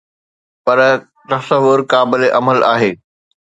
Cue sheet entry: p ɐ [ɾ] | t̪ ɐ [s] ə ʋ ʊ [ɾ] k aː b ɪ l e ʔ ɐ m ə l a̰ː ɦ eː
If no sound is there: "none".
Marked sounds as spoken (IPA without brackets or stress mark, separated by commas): ɾ, s, ɾ